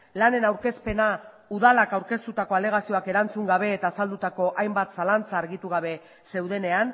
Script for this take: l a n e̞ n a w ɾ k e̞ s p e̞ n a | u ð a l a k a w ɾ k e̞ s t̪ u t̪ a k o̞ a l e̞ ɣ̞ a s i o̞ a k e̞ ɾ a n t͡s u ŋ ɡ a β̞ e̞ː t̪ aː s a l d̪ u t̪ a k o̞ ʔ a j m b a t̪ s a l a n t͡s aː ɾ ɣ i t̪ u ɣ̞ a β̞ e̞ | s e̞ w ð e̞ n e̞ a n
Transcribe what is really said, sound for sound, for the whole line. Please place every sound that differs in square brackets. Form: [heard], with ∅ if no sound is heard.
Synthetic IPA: l a n e̞ n a w ɾ k e̞ s p e̞ n a | u ð a l a k a w ɾ k e̞ s t̪ u t̪ a k o̞ a l e̞ ɣ̞ a s i o̞ a k e̞ ɾ a n t͡s u ŋ ɡ a β̞ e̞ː t̪ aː s a l d̪ u t̪ a k o̞ ʔ a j m b a t̪ s a l a n t͡s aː ɾ ɣ i t̪ u ɣ̞ a β̞ e̞ | s e̞ w ð e̞ n e̞ a n